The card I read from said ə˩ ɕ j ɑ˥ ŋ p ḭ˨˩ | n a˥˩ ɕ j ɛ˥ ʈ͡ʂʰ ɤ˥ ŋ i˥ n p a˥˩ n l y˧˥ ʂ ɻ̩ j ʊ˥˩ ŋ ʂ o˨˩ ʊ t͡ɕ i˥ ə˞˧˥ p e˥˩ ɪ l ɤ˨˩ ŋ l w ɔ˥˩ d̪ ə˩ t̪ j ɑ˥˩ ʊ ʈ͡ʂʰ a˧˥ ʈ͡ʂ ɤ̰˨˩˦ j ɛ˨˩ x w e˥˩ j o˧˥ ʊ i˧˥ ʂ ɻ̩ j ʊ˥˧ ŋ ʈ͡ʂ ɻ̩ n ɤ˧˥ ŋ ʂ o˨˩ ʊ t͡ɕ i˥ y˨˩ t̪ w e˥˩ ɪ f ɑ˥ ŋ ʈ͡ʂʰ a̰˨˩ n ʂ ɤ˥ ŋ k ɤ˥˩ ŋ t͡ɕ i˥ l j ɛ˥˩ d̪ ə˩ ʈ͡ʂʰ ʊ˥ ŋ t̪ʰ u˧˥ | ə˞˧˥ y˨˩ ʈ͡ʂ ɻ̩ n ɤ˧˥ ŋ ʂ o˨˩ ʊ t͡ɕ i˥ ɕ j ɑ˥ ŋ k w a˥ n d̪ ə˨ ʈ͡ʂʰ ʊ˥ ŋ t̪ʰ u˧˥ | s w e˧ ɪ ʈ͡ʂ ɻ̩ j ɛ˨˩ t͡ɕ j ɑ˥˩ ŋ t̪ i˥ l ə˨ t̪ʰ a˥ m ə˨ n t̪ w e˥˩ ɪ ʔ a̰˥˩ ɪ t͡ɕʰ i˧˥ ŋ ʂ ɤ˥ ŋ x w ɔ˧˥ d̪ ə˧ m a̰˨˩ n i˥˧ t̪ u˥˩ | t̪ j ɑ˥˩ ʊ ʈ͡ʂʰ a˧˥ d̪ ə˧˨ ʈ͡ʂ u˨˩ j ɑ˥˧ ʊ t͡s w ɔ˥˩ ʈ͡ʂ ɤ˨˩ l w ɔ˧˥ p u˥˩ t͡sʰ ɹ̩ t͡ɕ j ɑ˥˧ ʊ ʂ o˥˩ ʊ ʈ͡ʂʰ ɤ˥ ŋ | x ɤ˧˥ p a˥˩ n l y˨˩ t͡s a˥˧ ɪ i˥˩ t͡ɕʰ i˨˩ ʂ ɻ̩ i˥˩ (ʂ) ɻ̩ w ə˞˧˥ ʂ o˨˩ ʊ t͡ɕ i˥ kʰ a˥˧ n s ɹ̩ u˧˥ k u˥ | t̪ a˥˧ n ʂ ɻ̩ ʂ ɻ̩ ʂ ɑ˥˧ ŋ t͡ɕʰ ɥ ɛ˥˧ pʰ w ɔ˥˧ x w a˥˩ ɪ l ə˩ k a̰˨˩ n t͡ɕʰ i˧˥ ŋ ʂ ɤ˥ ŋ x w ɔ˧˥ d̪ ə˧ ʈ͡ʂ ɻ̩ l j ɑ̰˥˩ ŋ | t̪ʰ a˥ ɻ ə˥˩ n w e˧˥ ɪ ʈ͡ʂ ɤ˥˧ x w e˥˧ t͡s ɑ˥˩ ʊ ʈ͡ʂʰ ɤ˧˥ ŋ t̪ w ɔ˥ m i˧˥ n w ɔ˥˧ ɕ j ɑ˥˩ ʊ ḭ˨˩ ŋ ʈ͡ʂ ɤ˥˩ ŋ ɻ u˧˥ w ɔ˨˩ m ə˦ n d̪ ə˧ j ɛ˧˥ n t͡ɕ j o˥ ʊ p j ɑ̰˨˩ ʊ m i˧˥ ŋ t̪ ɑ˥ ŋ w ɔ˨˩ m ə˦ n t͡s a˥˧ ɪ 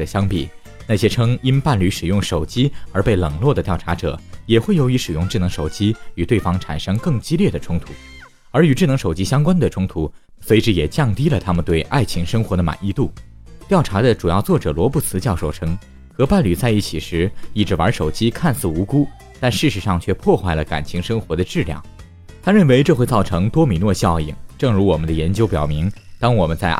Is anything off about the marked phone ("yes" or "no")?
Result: yes